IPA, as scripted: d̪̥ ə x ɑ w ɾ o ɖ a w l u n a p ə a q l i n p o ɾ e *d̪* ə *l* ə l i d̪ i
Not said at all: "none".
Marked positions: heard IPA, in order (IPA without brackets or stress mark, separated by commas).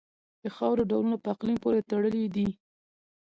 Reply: t̪, ɽ